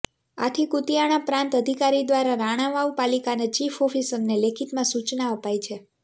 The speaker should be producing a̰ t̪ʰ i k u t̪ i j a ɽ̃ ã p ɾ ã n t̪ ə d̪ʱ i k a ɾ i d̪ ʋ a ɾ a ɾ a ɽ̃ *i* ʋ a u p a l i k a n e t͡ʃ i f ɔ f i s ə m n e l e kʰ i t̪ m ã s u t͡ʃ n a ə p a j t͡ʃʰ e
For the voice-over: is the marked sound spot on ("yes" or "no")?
no